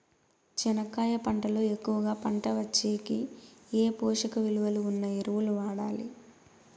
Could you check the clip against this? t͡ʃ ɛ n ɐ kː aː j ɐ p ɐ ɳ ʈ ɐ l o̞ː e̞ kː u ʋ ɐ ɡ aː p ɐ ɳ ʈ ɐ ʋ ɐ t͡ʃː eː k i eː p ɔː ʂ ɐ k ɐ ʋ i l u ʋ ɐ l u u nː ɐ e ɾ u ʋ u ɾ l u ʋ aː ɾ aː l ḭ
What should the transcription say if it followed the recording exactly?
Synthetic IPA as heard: t͡ʃ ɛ n ɐ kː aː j ɐ p ɐ ɳ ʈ ɐ l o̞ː e̞ kː u ʋ ɐ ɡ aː p ɐ ɳ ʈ ɐ ʋ ɐ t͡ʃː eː k i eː p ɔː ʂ ɐ k ɐ ʋ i l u ʋ ɐ l u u nː ɐ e ɾ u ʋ u l u ʋ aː ɽ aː l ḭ